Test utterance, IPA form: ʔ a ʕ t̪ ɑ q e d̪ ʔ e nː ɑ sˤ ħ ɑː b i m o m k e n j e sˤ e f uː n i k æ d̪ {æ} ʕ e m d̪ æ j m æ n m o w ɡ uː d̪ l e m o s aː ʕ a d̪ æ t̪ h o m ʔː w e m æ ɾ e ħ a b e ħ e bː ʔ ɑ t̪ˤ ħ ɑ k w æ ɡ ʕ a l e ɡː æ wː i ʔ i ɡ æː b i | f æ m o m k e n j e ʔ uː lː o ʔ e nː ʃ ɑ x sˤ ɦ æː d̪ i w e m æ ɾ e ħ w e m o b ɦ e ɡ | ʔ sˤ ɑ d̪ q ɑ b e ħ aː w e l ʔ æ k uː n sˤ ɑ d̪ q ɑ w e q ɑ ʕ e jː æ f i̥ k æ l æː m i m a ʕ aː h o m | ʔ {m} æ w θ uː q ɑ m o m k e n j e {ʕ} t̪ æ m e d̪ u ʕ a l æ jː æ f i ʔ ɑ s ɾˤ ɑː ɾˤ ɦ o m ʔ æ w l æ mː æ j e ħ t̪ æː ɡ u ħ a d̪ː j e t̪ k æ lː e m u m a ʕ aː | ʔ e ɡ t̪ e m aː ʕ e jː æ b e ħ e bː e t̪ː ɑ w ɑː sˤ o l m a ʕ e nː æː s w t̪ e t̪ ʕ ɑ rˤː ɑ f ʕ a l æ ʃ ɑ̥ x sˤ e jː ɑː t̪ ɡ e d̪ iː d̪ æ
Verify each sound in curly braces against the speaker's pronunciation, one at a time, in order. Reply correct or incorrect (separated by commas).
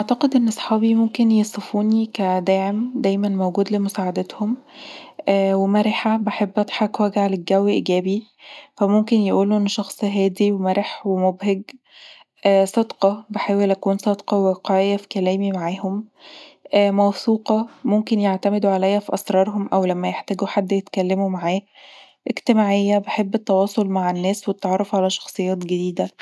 incorrect, correct, correct